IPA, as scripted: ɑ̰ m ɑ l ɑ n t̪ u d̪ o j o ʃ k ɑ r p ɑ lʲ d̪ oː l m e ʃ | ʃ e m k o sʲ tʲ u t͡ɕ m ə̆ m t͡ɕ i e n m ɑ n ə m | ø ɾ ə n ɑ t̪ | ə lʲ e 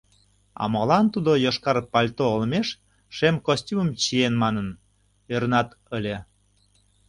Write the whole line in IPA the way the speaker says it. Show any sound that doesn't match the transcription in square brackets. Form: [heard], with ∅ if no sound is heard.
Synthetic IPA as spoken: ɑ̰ m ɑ l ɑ n t̪ u d̪ o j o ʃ k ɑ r p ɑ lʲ [t̪] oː l m e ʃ | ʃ e m k o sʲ tʲ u [∅] m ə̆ m t͡ɕ i e n m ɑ n ə [n] | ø ɾ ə n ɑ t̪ | ə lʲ e